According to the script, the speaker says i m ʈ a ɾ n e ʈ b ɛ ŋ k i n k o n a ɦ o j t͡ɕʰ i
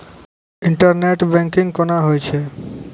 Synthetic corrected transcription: i ɳ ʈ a ɾ n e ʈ b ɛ ŋ k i ŋ k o n a ɦ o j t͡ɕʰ e